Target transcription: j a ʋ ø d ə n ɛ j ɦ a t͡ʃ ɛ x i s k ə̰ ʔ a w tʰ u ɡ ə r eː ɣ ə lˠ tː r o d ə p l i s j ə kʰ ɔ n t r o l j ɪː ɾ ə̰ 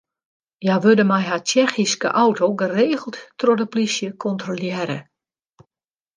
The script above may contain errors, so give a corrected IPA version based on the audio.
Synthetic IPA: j a ʋ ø d ə m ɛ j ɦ a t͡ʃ ɛ x i s k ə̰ ʔ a w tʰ o ɡ ə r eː ɣ ə lˠ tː r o d ə p l i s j ə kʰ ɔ n t r o l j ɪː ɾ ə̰